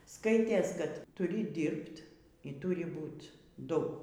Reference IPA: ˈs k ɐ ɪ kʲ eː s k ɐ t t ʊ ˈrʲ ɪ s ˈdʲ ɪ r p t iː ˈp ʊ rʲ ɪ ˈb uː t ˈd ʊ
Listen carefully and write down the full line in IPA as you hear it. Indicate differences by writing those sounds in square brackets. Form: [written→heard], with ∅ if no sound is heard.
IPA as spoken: ˈs k ɐ ɪ [kʲ→tʲ] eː s k ɐ t t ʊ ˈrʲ ɪ [s→∅] ˈdʲ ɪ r p t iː [ˈp→ˈt] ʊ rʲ ɪ ˈb uː t ˈd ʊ